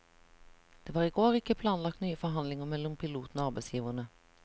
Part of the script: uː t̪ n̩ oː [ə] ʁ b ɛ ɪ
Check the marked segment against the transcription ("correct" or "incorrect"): incorrect